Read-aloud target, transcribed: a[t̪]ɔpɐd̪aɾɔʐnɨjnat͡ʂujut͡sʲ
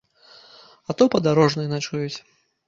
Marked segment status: correct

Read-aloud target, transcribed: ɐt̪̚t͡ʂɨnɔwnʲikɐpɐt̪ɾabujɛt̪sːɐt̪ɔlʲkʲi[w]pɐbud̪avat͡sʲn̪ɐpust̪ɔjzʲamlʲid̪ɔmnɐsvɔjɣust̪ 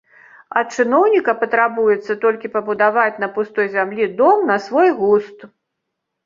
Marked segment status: incorrect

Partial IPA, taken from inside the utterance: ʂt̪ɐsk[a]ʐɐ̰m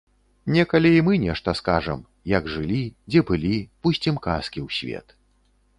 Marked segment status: correct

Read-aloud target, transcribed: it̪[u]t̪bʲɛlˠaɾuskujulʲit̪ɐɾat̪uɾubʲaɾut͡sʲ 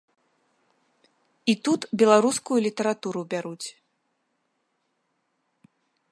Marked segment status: correct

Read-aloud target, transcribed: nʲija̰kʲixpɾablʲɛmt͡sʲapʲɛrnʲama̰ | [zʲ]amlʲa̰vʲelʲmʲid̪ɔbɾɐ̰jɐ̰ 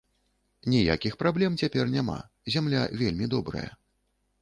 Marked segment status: correct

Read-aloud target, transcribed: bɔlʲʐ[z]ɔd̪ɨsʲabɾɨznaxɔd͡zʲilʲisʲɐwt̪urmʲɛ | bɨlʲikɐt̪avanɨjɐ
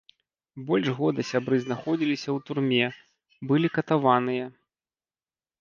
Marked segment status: incorrect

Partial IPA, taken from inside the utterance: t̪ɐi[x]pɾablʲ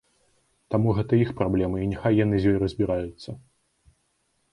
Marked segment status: correct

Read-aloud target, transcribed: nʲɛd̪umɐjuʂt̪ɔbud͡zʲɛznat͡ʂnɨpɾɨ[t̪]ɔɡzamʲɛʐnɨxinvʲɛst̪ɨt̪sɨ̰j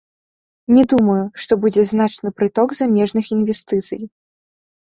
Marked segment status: correct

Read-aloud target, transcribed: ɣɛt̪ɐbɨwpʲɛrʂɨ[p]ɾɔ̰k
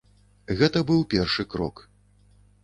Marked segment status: incorrect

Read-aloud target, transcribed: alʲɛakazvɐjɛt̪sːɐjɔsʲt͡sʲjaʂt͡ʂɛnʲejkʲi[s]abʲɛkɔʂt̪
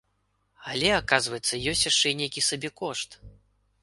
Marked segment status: correct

